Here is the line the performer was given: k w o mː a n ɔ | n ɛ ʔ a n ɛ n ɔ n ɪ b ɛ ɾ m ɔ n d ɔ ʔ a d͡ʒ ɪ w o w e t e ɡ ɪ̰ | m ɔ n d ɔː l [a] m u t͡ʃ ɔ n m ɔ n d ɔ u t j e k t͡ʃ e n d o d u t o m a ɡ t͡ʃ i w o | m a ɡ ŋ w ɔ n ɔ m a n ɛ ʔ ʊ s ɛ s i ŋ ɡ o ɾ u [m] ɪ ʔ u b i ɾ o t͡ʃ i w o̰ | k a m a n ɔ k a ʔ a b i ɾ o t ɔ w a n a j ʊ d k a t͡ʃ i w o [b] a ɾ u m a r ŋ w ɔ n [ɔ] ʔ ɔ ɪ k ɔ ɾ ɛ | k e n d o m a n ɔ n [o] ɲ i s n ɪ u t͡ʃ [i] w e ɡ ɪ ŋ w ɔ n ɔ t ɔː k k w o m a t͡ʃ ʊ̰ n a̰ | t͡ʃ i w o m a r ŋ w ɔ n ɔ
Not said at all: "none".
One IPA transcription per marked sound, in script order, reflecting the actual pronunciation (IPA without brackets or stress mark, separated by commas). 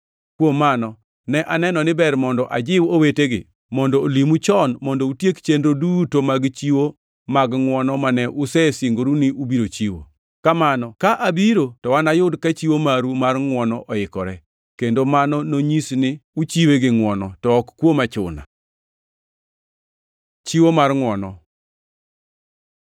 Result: i, n, m, ɔ, o, i